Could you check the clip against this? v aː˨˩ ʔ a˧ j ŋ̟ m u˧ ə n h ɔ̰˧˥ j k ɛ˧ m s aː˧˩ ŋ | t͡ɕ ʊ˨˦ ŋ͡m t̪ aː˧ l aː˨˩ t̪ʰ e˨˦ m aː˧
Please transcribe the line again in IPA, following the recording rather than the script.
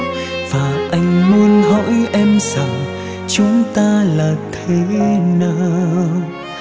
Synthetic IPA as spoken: v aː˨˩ ʔ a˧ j ŋ̟ m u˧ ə n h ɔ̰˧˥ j ʔ ɛ˧ m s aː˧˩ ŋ | t͡ɕ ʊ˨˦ ŋ͡m t̪ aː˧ l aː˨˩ t̪ʰ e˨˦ n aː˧

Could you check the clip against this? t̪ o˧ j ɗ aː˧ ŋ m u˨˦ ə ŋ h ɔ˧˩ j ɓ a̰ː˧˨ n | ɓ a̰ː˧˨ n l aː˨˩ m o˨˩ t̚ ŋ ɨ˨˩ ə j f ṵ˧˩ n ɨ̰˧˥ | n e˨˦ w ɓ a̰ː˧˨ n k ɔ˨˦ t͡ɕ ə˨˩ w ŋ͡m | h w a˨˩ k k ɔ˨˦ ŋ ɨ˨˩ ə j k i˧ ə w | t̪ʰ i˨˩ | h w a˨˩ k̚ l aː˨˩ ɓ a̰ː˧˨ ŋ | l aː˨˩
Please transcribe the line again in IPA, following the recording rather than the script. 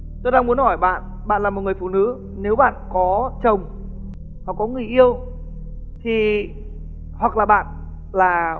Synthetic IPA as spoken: t̪ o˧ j ɗ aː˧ ŋ m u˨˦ ə n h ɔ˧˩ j ɓ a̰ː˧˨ n | ɓ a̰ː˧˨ n l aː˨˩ m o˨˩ t̚ ŋ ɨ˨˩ ə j f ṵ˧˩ n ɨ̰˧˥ | n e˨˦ w ɓ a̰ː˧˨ n k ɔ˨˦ t͡ɕ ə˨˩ w ŋ͡m | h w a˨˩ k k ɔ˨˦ ŋ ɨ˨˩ ə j ʔ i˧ ə w | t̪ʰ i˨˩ | h w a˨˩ k̚ l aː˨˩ ɓ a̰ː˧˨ n | l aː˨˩

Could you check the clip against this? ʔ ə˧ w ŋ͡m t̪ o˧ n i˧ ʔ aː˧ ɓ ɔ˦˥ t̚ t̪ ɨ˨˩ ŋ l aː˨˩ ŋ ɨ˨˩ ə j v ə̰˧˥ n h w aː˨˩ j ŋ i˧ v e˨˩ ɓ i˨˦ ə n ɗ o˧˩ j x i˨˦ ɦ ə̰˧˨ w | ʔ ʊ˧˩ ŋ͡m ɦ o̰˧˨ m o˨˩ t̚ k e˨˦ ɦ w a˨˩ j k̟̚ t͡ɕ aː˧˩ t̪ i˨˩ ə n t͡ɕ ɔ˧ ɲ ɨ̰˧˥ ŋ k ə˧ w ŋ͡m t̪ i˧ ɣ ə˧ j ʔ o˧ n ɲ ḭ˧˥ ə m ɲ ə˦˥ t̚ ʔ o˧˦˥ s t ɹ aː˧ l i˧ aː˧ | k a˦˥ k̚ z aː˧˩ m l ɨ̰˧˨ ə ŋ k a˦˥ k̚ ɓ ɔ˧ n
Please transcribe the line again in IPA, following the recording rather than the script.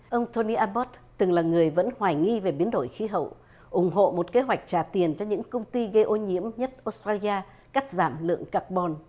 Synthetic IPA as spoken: ʔ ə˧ w ŋ͡m t̪ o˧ n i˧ ʔ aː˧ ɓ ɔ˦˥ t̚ t̪ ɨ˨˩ ŋ l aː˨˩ ŋ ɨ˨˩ ə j v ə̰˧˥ n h w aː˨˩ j ŋ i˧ v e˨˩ ɓ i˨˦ ə n ɗ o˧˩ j x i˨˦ ɦ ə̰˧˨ w | ʔ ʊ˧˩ ŋ͡m ɦ o̰˧˨ m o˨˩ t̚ k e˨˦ ɦ w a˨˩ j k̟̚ t͡ɕ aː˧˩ t̪ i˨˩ ə n t͡ɕ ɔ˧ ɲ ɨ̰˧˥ ŋ k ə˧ w ŋ͡m t̪ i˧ ɣ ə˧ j ʔ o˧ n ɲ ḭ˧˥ ə m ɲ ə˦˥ t̚ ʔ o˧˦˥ s t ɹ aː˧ l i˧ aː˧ | k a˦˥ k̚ z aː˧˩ m l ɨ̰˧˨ ə ŋ k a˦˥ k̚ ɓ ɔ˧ n

